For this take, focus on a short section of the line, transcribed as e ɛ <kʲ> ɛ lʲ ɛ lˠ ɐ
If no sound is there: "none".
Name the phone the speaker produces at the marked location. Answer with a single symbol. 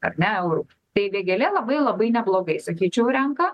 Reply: ɡʲ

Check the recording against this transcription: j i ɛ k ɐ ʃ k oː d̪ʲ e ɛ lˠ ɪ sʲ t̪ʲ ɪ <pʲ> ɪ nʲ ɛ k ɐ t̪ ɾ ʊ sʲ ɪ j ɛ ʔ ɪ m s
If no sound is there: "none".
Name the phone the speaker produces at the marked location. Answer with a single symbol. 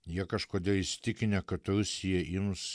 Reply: kʲ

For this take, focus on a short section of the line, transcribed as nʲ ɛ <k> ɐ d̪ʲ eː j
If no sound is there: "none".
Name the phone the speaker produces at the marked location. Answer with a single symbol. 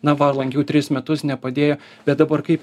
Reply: p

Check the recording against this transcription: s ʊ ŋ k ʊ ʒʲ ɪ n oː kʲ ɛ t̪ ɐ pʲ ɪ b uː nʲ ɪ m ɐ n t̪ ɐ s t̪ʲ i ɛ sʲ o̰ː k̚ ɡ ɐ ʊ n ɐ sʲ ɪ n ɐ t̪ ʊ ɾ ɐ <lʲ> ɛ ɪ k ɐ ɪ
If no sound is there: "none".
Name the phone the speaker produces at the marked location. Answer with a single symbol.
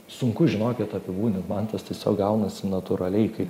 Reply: lʲ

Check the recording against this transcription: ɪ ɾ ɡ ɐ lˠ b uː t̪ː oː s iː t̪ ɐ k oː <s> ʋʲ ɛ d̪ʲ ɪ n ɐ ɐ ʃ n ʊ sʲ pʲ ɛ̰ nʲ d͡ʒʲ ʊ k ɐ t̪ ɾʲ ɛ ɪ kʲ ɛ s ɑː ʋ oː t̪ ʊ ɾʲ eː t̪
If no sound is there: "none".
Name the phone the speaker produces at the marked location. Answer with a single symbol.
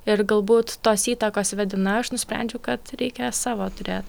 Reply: s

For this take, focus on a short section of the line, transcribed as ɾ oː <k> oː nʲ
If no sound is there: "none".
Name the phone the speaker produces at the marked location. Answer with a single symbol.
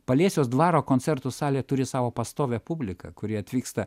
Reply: k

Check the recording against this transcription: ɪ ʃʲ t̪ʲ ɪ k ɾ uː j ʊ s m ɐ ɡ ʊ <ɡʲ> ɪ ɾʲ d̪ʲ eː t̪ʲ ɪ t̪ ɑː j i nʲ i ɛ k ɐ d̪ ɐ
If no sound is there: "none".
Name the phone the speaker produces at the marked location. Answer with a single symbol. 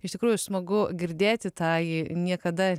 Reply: ɡʲ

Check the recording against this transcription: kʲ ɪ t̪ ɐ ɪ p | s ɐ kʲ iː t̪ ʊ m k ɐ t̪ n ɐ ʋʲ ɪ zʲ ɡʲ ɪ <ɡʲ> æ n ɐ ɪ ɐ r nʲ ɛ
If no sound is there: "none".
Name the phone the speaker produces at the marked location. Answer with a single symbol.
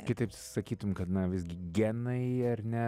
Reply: ɡʲ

